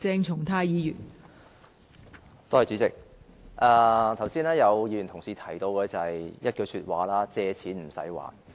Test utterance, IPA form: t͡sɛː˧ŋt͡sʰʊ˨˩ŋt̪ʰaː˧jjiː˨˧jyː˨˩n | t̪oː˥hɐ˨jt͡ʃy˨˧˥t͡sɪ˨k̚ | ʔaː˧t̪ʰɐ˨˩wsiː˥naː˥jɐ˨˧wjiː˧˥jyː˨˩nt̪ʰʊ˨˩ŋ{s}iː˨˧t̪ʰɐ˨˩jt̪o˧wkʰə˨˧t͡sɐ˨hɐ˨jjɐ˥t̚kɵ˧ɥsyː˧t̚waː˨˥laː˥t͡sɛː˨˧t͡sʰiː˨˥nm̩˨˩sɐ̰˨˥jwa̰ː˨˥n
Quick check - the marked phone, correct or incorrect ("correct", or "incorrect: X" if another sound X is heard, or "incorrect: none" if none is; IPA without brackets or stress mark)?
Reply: correct